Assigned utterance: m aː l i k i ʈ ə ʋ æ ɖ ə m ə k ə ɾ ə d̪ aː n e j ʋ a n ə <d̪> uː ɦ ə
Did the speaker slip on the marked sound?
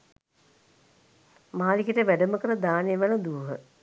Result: no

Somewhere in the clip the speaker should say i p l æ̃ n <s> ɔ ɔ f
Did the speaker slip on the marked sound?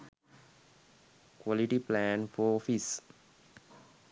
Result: yes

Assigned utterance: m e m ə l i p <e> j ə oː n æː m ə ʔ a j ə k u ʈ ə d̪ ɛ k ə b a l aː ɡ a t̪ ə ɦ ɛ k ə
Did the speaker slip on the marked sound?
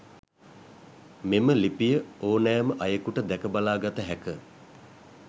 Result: yes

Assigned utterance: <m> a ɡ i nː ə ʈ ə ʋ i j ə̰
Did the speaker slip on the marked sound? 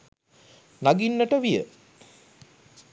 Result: yes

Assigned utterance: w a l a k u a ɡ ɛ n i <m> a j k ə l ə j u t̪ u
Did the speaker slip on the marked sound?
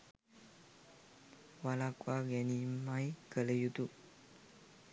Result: no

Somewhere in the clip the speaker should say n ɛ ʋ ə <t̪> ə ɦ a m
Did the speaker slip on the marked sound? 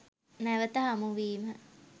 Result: no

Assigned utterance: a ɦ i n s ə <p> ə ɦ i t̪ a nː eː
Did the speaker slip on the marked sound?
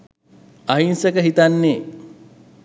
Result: yes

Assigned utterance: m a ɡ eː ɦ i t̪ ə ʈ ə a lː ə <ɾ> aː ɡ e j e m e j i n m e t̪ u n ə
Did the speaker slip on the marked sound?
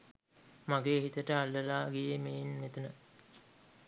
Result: yes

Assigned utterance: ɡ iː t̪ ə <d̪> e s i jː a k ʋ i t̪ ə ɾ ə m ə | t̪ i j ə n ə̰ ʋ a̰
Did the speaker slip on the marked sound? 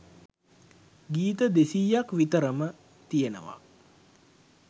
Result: no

